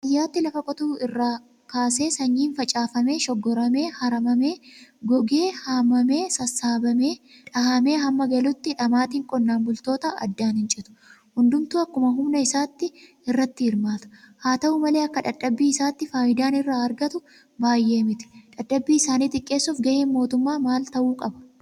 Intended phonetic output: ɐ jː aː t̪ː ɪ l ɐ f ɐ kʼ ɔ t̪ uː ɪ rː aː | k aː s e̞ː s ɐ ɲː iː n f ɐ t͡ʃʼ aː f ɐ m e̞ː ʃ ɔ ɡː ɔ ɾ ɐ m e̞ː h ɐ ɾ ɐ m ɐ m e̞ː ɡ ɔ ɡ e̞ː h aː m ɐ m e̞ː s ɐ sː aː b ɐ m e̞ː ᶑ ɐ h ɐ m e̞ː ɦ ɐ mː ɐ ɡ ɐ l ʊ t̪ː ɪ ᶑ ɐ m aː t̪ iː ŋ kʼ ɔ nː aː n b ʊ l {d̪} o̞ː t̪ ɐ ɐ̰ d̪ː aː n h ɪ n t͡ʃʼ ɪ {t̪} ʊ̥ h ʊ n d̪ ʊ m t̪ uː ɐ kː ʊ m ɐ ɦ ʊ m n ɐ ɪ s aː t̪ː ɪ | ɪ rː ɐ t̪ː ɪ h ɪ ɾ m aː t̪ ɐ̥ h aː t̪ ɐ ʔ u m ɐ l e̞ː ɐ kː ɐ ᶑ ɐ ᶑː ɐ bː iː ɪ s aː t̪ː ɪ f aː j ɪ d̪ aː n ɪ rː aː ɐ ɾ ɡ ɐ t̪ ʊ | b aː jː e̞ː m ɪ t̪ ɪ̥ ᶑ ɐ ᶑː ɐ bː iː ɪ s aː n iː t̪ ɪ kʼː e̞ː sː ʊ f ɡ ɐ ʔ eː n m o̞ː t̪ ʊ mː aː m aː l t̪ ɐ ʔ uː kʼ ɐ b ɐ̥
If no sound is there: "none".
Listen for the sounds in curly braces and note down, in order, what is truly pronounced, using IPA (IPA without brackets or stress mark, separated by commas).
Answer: t̪, t̪